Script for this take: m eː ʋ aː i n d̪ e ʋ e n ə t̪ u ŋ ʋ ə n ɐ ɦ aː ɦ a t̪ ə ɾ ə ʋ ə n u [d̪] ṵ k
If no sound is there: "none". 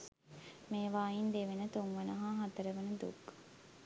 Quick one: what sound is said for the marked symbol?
d̪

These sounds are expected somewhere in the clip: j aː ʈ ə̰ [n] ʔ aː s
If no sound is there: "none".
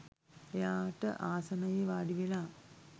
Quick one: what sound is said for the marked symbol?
none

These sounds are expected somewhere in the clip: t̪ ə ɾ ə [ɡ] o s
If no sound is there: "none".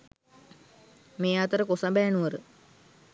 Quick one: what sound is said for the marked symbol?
k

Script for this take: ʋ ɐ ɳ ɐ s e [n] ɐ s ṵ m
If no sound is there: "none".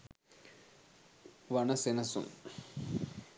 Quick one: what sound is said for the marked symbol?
n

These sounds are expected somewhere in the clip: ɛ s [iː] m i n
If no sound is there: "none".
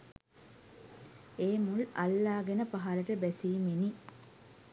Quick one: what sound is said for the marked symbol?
iː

